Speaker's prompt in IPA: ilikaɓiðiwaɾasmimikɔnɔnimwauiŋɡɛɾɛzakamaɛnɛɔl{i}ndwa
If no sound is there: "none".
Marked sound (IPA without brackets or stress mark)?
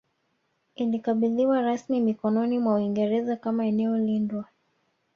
i